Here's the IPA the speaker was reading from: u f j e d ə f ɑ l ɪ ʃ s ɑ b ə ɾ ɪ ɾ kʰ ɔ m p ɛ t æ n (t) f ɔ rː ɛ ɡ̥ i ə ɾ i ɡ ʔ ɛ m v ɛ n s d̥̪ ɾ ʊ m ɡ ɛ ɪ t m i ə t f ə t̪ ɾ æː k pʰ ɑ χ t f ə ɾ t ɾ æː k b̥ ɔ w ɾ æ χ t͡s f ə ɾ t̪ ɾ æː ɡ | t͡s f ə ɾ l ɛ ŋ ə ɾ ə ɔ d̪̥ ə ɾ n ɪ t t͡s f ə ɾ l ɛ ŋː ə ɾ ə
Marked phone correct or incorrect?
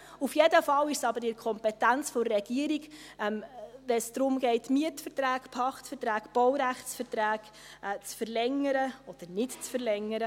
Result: incorrect